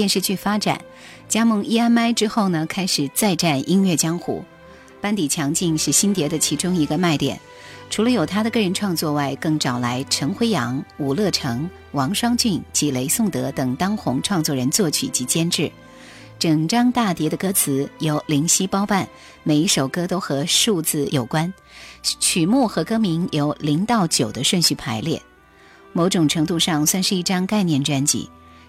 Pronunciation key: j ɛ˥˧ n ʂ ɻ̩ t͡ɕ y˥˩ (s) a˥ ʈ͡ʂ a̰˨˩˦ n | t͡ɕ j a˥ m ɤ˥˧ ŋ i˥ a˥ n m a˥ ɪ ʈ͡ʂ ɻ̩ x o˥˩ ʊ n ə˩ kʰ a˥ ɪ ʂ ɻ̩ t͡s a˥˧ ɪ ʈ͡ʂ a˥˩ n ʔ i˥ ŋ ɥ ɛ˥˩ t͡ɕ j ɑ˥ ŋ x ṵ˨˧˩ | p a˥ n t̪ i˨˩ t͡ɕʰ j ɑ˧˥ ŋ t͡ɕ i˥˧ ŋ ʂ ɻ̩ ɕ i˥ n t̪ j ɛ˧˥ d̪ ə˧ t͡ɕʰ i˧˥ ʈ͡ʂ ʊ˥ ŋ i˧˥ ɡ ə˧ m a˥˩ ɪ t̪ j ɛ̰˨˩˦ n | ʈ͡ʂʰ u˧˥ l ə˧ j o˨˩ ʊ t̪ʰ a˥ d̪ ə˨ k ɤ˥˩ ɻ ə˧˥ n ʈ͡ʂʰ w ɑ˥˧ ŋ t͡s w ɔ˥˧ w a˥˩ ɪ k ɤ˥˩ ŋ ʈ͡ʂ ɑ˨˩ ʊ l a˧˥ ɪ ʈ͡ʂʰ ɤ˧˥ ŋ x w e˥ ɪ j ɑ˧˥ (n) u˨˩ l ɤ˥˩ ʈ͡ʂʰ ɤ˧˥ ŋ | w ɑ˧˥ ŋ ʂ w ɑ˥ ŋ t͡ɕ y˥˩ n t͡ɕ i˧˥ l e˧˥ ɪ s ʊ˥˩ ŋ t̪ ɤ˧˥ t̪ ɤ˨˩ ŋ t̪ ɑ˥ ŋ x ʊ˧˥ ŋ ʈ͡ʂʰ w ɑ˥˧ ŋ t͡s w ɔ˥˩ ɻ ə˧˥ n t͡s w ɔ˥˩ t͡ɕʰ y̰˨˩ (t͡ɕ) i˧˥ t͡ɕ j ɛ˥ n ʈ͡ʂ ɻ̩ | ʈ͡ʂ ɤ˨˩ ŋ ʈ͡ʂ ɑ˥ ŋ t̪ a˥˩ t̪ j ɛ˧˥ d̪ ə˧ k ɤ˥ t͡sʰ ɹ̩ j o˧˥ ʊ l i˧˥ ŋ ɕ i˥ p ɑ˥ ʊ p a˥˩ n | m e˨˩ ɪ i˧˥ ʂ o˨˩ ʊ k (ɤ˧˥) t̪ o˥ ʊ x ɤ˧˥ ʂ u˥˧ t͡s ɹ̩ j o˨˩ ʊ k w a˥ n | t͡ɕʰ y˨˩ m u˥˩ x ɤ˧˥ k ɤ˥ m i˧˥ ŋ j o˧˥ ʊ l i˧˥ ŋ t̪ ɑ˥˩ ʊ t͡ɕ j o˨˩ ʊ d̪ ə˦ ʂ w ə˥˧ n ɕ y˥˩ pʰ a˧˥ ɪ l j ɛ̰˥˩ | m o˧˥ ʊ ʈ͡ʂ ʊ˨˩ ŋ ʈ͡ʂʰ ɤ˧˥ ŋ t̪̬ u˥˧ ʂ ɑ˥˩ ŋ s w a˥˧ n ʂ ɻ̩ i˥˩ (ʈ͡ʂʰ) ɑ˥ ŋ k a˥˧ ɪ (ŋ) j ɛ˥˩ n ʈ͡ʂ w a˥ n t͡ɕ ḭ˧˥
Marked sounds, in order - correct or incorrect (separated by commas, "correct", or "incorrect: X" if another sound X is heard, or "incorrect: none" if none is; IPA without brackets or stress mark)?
incorrect: f, incorrect: ŋ, correct, incorrect: ɤ˥, incorrect: ʈ͡ʂ, incorrect: n